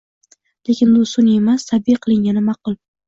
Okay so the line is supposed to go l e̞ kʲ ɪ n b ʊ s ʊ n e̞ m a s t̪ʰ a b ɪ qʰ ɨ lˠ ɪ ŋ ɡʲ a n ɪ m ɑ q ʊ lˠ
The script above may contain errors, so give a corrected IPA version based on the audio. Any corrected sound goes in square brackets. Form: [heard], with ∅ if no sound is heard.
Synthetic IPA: l e̞ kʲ ɪ n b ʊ s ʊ n e̞ m a s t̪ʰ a b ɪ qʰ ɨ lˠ ɪ ŋ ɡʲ a n ɪ m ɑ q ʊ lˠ